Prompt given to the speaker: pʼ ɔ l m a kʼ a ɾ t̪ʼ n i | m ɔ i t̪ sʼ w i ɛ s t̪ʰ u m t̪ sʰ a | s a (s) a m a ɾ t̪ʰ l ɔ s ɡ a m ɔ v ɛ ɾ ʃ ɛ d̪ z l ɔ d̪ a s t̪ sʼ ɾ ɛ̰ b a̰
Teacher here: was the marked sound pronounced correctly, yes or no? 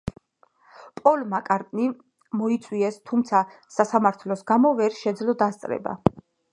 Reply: yes